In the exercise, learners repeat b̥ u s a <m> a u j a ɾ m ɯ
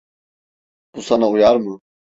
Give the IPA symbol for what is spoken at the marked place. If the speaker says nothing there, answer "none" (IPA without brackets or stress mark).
n